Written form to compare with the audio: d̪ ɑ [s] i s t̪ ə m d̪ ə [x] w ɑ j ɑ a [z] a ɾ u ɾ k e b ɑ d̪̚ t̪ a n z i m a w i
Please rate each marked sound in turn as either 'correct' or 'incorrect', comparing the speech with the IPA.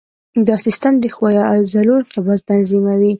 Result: correct, correct, correct

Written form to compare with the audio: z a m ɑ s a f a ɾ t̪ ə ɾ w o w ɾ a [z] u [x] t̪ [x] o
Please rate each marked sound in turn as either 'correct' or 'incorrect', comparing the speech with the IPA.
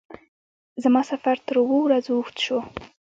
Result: correct, correct, incorrect

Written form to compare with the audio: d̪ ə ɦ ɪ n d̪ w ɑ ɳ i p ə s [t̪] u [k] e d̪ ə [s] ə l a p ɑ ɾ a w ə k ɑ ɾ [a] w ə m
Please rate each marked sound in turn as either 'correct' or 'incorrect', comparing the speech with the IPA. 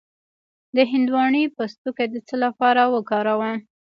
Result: correct, correct, incorrect, correct

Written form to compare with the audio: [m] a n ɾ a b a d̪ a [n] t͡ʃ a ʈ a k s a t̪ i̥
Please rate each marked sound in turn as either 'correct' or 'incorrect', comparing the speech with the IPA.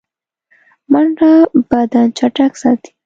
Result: correct, correct

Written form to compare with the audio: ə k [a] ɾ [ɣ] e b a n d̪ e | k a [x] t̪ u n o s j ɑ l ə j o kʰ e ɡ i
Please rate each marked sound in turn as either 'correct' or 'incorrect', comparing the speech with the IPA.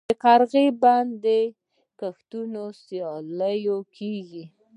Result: correct, correct, correct

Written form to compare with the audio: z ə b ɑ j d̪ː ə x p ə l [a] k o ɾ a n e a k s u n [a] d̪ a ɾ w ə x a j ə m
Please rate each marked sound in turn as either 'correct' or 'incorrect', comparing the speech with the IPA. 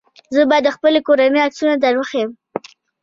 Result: incorrect, correct

